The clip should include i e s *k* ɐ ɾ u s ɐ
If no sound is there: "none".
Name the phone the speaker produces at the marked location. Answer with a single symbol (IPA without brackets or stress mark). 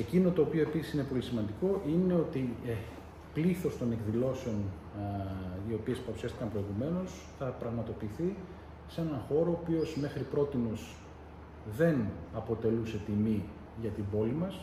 p